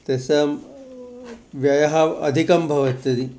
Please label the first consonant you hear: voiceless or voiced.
voiceless